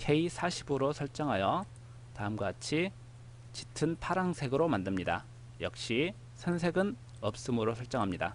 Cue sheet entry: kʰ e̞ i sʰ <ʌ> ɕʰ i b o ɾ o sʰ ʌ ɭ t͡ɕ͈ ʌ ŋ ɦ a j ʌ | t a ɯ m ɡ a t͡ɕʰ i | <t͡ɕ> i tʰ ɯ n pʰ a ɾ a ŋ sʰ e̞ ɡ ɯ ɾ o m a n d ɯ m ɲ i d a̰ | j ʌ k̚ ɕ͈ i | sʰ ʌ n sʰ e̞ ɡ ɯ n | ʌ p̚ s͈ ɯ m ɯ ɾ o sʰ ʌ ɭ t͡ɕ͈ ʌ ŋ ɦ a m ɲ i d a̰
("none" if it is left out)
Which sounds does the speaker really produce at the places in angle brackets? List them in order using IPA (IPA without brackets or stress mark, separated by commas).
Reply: a, t͡ɕ